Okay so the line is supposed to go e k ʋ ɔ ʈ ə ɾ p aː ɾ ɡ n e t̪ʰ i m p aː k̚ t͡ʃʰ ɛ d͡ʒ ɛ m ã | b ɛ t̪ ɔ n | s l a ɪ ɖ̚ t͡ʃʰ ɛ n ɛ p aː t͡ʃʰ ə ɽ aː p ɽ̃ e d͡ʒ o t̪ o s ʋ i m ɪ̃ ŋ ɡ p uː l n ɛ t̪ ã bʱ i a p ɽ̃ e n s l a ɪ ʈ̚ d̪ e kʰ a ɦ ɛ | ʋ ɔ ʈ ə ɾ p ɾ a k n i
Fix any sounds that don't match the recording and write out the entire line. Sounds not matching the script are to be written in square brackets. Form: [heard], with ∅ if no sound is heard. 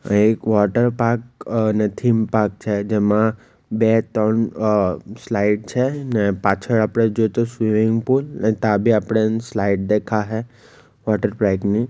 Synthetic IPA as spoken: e k ʋ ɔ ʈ ə ɾ p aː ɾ [k] n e t̪ʰ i m p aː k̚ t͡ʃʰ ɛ d͡ʒ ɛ m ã | b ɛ t̪ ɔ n | s l a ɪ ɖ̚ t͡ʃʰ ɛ n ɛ p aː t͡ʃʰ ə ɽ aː p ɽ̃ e d͡ʒ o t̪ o s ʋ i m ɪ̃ ŋ ɡ p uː l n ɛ t̪ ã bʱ i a p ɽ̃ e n s l a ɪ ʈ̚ d̪ e kʰ a ɦ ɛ | ʋ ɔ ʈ ə ɾ p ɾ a k n i